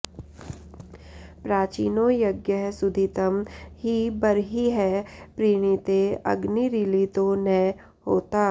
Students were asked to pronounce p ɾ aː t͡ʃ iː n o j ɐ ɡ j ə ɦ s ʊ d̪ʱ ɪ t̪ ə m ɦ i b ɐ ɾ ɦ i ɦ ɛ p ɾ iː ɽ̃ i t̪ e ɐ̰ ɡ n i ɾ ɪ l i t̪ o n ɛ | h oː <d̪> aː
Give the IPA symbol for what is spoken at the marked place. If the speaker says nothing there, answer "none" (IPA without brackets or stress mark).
t̪